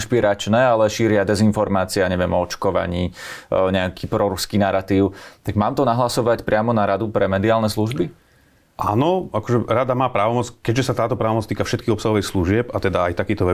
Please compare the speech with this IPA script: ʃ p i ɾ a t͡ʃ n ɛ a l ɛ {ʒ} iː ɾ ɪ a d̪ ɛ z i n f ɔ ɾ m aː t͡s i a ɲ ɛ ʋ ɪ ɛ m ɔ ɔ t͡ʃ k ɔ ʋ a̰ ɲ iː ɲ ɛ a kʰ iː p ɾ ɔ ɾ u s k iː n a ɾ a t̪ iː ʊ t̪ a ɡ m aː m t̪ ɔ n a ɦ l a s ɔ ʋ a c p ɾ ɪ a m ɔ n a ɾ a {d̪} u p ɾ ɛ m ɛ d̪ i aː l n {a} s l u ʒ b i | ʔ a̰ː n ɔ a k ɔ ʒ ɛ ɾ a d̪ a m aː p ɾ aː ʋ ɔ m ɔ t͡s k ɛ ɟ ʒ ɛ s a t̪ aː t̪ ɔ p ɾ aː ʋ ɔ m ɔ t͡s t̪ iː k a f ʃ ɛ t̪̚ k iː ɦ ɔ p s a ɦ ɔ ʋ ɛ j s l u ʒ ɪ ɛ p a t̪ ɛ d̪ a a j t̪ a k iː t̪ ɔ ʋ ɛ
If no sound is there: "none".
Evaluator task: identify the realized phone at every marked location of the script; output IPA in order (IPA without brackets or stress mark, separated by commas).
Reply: ʃ, d̪, ɛ